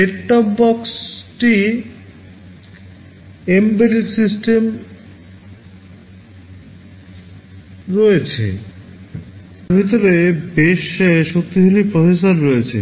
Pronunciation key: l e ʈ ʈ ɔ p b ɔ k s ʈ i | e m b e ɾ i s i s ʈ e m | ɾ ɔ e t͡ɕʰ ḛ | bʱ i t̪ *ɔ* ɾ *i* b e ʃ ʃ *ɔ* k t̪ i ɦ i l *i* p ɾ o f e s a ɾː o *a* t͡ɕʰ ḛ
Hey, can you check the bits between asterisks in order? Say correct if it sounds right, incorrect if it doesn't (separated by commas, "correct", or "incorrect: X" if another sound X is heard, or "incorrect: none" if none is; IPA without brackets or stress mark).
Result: incorrect: o, incorrect: e, incorrect: o, correct, incorrect: e